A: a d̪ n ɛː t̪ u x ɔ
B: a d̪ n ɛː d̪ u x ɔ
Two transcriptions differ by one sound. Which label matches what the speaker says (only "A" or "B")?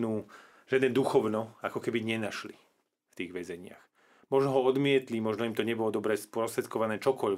B